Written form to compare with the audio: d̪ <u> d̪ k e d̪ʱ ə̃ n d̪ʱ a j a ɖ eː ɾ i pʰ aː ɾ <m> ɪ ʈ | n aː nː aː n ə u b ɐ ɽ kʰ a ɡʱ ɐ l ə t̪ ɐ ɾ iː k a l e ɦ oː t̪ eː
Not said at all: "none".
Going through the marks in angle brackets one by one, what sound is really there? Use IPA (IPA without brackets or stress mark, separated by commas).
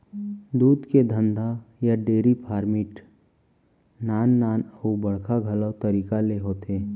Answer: uː, m